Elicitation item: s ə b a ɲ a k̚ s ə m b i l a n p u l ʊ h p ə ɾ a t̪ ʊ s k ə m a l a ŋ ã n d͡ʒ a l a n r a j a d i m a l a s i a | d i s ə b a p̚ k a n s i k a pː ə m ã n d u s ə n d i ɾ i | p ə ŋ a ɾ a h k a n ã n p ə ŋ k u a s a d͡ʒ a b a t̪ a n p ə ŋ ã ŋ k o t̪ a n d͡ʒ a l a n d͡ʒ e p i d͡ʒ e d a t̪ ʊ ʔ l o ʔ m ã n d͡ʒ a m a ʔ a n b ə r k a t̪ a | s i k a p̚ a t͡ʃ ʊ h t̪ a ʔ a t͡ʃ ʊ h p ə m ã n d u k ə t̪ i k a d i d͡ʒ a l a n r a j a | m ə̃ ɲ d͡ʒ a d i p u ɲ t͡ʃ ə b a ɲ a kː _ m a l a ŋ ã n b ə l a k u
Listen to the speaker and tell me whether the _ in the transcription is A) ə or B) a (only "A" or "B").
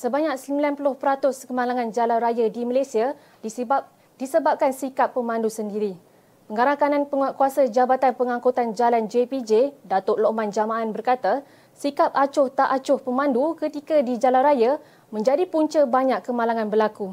A